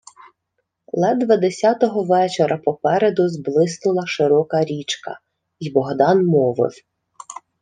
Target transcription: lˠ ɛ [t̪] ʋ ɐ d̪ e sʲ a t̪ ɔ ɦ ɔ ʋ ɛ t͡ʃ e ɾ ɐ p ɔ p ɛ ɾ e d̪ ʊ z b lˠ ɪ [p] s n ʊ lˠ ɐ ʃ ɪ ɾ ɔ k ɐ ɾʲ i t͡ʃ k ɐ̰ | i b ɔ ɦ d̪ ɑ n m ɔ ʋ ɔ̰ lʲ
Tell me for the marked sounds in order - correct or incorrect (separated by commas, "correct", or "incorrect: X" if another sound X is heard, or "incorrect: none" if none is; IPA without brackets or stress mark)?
incorrect: d̪, incorrect: none